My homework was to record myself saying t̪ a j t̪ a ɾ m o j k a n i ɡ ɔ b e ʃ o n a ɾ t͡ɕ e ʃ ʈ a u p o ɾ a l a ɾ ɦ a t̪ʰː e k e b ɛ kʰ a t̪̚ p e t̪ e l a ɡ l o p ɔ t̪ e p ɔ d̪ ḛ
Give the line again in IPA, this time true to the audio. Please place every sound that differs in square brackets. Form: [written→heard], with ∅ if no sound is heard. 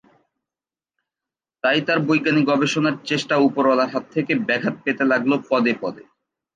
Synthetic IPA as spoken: t̪ a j t̪ a ɾ [m→b] o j [k→ɡ] a n i ɡ ɔ b e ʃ o n a ɾ t͡ɕ e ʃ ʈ a u p o ɾ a l a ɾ ɦ a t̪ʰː e k e b ɛ kʰ a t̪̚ p e t̪ e l a ɡ l o p ɔ [t̪→d̪] e p ɔ d̪ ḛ